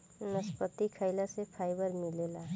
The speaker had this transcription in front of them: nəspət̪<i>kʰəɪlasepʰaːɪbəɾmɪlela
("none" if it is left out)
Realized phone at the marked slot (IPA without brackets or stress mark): i